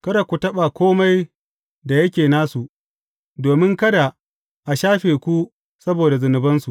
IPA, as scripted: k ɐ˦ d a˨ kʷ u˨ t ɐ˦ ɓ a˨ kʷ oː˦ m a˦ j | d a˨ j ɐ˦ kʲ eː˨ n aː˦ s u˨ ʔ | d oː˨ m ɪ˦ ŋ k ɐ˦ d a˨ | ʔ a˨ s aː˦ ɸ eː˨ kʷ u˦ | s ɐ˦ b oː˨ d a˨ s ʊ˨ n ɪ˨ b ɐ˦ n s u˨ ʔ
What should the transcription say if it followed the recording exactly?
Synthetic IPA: k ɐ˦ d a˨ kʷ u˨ t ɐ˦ ɓ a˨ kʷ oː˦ m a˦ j | d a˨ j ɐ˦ kʲ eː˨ n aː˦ s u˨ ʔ | d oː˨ m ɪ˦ ŋ k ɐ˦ d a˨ | ʔ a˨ ʃ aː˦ ɸ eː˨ kʷ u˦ | s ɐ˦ b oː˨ d a˨ z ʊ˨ n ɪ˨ b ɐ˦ n s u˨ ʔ